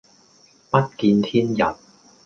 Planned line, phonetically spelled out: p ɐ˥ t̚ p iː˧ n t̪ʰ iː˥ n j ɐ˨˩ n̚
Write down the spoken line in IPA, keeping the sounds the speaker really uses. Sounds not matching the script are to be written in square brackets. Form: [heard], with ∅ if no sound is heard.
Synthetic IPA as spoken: p ɐ˥ t̚ [k] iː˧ n t̪ʰ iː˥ n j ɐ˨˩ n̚